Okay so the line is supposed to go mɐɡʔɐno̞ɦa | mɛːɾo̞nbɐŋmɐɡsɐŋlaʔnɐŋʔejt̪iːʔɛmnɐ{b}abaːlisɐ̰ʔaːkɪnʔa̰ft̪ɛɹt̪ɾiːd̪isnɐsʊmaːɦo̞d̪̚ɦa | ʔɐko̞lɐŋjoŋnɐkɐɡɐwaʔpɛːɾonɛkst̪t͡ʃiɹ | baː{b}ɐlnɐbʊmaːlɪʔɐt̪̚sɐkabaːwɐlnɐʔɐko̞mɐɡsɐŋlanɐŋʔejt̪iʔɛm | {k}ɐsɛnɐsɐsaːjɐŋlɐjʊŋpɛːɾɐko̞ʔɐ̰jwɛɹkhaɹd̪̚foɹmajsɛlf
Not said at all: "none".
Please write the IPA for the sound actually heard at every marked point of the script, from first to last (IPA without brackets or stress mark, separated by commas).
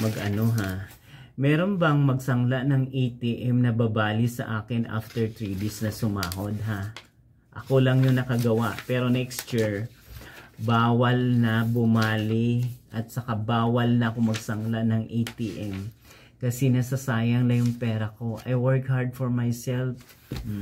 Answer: b, w, k